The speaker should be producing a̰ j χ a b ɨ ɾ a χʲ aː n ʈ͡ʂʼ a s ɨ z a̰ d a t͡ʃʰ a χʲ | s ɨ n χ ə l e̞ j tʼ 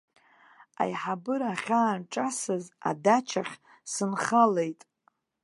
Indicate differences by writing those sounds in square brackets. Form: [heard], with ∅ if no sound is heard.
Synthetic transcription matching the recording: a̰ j [ħ] a b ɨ ɾ a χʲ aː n ʈ͡ʂʼ a s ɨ z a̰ d a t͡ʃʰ a χʲ | s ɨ n χ [a] l e̞ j tʼ